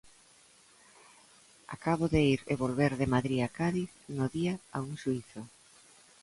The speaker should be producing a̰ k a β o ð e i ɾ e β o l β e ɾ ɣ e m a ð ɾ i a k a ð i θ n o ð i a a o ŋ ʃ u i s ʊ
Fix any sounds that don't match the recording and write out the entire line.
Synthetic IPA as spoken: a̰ k a β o ð e i ɾ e β o l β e ɾ ð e m a ð ɾ i a k a ð i θ n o ð i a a u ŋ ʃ u i θ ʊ